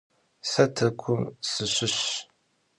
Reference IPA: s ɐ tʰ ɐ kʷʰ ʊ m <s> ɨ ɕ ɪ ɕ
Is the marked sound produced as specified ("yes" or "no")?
yes